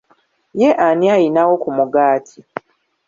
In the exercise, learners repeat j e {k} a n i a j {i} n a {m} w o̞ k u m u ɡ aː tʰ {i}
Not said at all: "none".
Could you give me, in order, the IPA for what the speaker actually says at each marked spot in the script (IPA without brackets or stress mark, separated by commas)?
ʔ, i, none, i